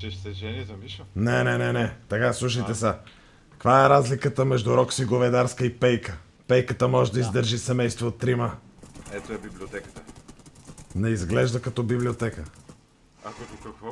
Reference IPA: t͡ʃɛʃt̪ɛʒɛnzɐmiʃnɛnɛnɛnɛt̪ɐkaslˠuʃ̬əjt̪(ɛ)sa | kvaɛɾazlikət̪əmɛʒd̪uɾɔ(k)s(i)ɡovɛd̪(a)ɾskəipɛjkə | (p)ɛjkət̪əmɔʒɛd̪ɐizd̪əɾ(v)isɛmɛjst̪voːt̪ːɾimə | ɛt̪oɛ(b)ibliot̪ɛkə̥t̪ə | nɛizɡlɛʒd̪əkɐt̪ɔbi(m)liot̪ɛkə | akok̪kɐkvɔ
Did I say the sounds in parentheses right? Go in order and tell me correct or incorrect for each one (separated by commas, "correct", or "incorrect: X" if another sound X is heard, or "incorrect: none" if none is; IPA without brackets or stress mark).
correct, correct, correct, correct, correct, incorrect: ʒ, correct, incorrect: b